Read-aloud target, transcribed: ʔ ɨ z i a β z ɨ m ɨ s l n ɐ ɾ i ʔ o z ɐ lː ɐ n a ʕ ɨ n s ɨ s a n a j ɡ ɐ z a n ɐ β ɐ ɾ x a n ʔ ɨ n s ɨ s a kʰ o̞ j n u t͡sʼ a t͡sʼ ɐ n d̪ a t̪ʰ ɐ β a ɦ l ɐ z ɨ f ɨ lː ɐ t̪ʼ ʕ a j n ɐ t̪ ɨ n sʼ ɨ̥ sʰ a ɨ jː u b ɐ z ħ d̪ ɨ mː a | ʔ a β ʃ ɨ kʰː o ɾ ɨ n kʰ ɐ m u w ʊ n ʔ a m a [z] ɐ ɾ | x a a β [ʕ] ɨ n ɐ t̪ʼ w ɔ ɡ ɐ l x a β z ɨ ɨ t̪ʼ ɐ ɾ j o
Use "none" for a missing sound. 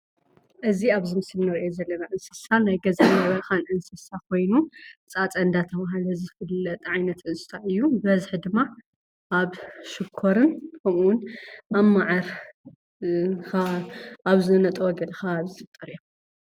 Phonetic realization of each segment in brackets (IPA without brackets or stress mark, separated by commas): ʕ, z